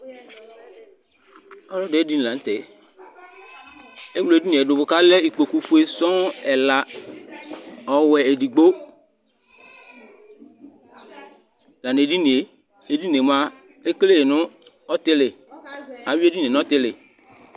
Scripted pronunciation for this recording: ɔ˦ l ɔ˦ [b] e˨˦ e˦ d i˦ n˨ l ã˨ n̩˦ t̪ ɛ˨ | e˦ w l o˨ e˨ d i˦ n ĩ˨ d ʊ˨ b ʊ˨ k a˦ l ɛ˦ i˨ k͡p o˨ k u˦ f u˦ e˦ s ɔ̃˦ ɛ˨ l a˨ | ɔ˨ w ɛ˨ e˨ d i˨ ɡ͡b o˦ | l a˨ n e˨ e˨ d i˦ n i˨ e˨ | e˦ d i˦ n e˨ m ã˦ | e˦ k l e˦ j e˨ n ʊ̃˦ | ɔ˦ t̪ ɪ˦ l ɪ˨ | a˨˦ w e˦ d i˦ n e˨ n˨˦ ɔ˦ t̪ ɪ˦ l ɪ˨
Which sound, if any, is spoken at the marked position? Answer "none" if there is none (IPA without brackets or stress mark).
d